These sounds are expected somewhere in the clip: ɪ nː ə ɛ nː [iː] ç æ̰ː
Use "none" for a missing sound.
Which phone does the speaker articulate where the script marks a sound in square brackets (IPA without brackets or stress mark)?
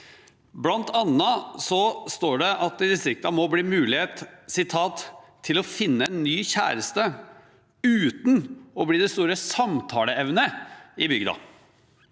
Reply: yː